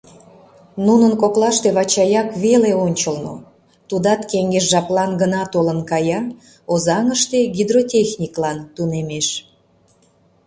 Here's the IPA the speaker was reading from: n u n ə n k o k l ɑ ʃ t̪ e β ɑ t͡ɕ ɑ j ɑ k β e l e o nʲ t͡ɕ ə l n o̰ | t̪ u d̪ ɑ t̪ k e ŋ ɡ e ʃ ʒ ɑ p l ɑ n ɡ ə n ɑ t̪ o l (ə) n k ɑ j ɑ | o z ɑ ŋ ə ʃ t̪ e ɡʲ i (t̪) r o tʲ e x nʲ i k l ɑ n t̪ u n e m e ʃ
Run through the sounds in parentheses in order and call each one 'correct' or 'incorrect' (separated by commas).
correct, incorrect